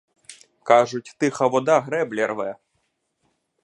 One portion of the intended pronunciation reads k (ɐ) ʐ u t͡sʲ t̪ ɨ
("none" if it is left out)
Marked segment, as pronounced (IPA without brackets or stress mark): a